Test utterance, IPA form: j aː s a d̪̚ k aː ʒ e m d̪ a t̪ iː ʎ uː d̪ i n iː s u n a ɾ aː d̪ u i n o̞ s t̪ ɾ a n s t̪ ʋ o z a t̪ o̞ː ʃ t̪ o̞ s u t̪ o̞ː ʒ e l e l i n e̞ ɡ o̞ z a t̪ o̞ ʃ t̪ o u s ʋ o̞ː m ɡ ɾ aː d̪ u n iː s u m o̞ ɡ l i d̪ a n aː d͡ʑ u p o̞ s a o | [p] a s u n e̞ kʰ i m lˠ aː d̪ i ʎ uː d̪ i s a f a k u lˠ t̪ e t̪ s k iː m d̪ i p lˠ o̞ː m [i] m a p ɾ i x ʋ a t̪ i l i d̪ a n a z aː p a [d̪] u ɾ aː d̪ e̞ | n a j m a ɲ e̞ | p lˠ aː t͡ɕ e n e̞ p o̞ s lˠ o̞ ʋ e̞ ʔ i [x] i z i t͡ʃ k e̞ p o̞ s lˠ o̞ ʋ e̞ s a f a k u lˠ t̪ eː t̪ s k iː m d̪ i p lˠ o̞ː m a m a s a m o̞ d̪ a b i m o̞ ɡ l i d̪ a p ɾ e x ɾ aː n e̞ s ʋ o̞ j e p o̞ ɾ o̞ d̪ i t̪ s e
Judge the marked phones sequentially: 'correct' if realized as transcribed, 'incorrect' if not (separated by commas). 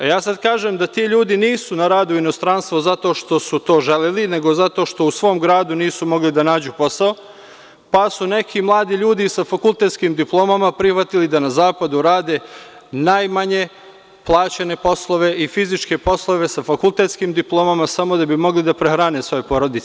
correct, incorrect, correct, incorrect